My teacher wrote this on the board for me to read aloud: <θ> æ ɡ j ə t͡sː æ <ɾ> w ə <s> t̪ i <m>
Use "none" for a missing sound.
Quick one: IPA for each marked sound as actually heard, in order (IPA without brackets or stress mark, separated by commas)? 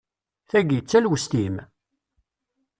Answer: θ, l, s, m